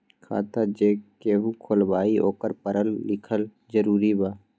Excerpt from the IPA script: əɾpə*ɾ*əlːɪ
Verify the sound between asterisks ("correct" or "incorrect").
correct